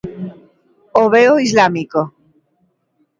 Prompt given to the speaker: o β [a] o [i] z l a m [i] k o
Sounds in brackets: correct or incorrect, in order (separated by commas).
incorrect, correct, correct